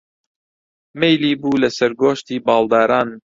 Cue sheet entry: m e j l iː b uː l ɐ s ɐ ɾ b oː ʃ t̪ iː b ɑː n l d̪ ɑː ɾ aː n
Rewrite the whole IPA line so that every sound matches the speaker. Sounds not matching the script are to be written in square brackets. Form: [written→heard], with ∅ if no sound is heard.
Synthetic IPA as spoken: m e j l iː b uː l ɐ s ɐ ɾ [b→ɡ] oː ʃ t̪ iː b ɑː [n→∅] l d̪ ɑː ɾ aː n